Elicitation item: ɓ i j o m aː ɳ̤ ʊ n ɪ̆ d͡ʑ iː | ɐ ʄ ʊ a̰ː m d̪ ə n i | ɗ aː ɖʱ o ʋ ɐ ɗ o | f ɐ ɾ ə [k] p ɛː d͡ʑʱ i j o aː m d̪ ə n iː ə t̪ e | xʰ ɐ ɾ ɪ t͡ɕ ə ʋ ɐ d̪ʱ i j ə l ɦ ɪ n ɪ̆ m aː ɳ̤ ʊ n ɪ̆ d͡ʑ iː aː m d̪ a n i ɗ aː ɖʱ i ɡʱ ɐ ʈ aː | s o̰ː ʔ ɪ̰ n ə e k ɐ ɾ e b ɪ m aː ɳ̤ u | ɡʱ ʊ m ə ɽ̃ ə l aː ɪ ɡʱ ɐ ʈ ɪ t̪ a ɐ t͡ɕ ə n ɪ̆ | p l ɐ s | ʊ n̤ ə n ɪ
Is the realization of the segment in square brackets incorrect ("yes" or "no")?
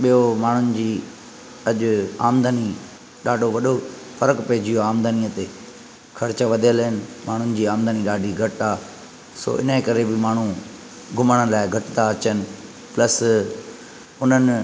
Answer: no